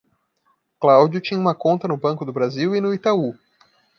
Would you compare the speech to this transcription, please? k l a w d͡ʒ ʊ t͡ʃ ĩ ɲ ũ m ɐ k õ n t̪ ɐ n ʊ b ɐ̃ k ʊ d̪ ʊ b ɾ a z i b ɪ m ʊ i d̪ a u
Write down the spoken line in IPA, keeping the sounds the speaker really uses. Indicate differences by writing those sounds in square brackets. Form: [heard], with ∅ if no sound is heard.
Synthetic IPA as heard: k l a w d͡ʒ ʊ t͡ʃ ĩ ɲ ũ m ɐ k õ n t̪ ɐ n ʊ b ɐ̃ k ʊ d̪ ʊ b ɾ a z i [w] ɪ [n] ʊ i [t̪] a u